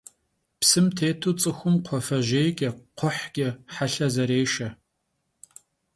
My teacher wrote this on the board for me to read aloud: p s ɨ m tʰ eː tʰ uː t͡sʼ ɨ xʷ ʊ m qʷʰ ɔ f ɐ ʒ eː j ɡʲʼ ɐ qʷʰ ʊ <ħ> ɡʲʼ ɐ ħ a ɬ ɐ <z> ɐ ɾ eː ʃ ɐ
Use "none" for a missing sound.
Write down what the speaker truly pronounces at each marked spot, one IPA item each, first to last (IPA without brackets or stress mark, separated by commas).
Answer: ħ, z